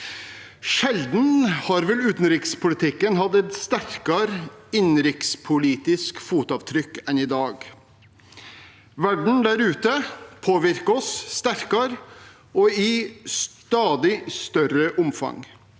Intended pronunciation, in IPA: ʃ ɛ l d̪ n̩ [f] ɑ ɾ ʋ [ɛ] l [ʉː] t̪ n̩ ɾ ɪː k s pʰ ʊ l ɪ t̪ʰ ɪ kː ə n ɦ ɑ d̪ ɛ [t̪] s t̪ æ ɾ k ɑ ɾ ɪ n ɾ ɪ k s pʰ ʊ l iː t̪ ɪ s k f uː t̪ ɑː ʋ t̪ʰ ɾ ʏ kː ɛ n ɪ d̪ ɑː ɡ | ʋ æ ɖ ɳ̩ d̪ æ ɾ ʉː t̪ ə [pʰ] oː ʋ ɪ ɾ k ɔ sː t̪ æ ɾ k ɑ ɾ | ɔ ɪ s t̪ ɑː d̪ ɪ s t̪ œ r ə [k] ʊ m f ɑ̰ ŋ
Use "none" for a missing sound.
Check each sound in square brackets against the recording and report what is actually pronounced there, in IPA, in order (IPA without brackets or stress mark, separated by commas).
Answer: h, ɛ, ʉː, t̪, pʰ, ʔ